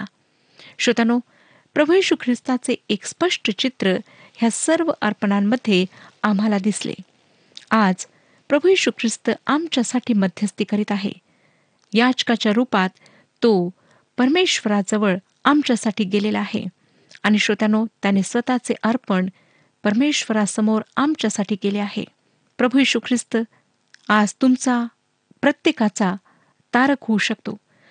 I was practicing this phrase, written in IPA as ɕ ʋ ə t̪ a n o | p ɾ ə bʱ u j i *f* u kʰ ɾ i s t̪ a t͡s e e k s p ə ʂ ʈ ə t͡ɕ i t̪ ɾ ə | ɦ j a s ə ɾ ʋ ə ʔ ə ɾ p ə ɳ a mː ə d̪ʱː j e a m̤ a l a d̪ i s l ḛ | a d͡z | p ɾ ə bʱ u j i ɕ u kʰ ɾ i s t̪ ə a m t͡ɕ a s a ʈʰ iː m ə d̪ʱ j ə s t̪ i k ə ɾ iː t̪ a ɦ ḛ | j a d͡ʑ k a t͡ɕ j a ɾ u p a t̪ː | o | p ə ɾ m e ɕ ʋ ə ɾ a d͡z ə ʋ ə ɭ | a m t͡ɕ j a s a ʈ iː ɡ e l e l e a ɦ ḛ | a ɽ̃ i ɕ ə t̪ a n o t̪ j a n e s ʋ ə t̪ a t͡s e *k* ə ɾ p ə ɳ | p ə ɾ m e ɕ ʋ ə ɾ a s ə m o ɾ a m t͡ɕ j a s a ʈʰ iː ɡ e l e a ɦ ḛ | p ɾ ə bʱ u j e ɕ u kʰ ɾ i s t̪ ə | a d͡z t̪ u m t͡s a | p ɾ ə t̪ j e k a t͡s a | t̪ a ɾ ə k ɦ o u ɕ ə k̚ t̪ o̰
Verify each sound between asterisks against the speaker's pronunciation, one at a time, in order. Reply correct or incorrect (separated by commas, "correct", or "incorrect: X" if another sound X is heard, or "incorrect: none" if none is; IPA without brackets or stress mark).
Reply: incorrect: ɕ, incorrect: ʔ